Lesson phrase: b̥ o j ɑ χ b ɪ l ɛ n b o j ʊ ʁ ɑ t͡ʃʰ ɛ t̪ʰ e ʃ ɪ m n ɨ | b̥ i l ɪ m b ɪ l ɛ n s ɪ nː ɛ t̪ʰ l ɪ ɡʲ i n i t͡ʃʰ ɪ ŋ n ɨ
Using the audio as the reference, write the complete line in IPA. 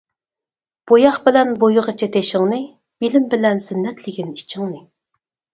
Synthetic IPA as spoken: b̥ o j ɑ χ b ɪ l ɛ n b o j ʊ ʁ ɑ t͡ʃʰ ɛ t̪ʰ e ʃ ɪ ŋ n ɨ | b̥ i l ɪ m b ɪ l ɛ n s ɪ nː ɛ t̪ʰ l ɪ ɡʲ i n i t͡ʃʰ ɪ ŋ n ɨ